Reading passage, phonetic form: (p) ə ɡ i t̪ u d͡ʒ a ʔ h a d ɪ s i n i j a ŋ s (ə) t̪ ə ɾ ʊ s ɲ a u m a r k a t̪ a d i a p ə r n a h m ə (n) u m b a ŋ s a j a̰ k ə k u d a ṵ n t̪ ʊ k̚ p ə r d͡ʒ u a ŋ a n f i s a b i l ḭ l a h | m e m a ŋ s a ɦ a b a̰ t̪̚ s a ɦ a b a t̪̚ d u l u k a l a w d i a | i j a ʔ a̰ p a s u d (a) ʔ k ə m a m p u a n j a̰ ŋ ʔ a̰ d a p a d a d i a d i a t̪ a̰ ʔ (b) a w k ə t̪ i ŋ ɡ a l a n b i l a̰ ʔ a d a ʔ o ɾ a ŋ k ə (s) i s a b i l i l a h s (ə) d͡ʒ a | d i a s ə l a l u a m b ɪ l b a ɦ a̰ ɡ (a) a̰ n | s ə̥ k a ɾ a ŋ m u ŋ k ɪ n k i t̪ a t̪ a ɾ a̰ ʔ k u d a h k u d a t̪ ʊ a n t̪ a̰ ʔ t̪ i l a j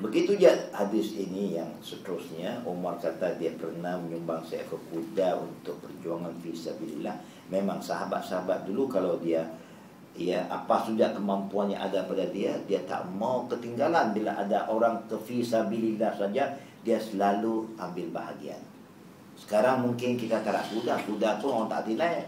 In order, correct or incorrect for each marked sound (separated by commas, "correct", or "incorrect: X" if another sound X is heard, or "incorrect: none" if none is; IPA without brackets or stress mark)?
incorrect: b, correct, incorrect: ɲ, correct, incorrect: m, incorrect: f, incorrect: a, incorrect: i